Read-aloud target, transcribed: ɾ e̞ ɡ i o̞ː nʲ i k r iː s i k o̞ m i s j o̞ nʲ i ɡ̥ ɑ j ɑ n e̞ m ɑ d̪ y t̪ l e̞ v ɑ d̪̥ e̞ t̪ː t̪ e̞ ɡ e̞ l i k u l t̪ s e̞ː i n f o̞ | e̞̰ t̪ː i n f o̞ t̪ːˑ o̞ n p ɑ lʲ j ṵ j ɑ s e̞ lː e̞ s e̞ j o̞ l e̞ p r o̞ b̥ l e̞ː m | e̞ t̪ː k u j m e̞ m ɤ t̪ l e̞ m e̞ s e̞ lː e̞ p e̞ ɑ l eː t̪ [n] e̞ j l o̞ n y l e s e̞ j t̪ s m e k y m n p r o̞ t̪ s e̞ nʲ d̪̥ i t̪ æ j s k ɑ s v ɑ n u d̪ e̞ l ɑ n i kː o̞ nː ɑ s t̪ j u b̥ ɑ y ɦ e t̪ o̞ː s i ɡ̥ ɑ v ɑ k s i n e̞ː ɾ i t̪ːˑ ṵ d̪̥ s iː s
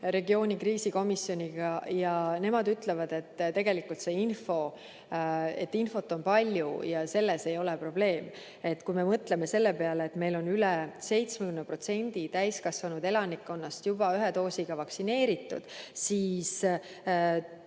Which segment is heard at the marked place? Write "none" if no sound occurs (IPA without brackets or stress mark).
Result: m